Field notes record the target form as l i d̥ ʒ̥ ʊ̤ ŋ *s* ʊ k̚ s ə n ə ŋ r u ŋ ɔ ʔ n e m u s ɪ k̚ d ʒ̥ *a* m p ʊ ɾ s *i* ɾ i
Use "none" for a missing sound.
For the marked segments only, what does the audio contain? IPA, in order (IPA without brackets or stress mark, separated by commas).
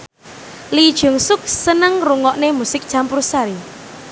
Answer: s, a, a